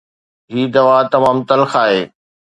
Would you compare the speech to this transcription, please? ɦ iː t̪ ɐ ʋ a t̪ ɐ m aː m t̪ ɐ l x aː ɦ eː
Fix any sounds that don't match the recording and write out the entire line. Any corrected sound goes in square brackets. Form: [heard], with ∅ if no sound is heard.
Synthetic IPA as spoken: ɦ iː [d̪] ɐ ʋ a t̪ ɐ m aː m t̪ ɐ l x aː ɦ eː